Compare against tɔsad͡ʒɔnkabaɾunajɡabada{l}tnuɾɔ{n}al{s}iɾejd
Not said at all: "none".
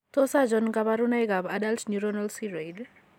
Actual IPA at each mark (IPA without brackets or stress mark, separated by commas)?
l, n, s